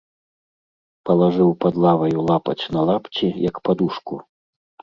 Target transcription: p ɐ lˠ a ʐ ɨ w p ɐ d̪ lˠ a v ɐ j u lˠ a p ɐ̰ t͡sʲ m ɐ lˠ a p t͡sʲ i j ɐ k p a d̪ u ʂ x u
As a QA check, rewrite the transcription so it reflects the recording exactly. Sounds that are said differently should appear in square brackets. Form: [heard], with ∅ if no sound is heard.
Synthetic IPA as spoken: p ɐ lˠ a ʐ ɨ w p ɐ d̪ lˠ a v ɐ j u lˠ a p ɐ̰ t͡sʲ [n] ɐ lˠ a p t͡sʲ i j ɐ k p a d̪ u ʂ [k] u